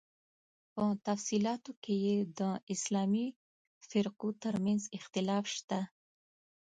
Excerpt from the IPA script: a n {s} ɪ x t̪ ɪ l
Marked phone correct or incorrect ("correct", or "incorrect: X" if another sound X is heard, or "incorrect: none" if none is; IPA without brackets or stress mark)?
incorrect: z